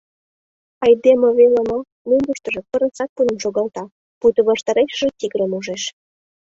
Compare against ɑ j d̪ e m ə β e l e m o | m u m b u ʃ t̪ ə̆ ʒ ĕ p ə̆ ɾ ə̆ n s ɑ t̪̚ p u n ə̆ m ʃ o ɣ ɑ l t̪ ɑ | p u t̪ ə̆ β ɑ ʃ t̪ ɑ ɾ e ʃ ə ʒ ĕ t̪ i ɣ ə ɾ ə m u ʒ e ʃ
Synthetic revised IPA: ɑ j d̪ e m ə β e l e m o | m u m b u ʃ t̪ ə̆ ʒ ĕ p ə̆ ɾ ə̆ n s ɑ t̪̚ p u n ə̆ m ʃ o ɣ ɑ l t̪ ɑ | p u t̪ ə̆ β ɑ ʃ t̪ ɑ ɾ e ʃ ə ʒ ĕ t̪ i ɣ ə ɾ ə m u ʒ e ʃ